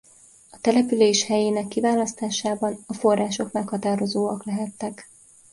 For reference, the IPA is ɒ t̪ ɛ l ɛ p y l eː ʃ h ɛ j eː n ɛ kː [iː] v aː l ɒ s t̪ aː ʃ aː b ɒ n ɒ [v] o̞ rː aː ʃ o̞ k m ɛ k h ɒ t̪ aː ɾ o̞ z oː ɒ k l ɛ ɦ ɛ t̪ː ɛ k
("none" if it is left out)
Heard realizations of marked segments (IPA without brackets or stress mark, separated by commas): i, f